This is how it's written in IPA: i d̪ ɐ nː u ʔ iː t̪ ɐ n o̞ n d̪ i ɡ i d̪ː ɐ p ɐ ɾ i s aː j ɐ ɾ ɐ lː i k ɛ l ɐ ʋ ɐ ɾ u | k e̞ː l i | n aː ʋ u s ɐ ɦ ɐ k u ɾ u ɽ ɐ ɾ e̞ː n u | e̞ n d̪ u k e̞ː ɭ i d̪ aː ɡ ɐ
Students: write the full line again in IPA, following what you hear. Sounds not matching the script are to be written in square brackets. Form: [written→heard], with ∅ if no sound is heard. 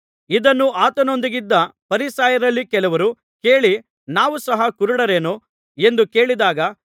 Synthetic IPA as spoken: i d̪ ɐ nː u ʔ [iː→aː] t̪ ɐ n o̞ n d̪ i ɡ i d̪ː ɐ p ɐ ɾ i s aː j ɐ ɾ ɐ lː i k ɛ l ɐ ʋ ɐ ɾ u | k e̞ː [l→ɭ] i | n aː ʋ u s ɐ ɦ ɐ k u ɾ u ɽ ɐ ɾ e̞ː n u | e̞ n d̪ u k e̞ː ɭ i d̪ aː ɡ ɐ